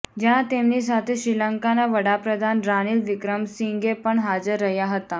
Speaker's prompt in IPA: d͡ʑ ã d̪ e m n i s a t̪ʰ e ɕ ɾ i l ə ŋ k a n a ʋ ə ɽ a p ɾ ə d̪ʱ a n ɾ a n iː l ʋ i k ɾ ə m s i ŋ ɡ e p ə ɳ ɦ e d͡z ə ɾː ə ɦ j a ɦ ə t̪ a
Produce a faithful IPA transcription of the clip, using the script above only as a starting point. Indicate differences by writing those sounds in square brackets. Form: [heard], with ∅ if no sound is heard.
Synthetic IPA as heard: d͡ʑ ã [t̪] e m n i s a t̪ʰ e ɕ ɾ i l ə ŋ k a n a ʋ ə ɽ a p ɾ ə d̪ʱ a n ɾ a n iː l ʋ i k ɾ ə m s i ŋ ɡ e p ə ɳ ɦ [a] d͡z ə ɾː ə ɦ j a ɦ ə t̪ a